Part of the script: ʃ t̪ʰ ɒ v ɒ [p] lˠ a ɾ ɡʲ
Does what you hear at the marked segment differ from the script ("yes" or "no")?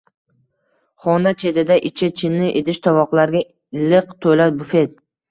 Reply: yes